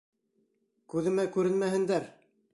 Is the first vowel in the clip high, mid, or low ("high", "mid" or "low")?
high